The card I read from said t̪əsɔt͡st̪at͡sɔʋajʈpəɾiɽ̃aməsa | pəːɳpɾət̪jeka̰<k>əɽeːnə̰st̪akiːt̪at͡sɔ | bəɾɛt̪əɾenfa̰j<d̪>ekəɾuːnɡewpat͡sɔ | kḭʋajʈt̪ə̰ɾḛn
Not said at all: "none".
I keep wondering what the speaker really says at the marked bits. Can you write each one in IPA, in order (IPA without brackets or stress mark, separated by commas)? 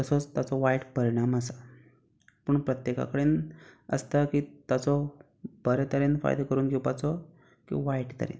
k, d̪